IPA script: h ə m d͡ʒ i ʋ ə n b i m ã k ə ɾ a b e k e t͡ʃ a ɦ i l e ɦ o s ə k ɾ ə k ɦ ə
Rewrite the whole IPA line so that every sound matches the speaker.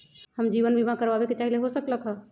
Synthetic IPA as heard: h ə m d͡ʒ i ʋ ə n b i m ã k ə ɾ a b e k e t͡ʃ a ɦ i l e ɦ o s ə k l ə k ɦ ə